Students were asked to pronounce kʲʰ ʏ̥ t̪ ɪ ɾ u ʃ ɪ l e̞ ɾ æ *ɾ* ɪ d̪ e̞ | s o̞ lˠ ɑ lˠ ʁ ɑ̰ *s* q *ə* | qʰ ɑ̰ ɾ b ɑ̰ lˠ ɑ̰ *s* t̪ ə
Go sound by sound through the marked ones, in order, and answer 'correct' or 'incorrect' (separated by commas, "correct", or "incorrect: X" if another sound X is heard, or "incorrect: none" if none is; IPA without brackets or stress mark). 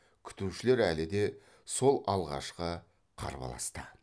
incorrect: l, incorrect: ʃ, correct, correct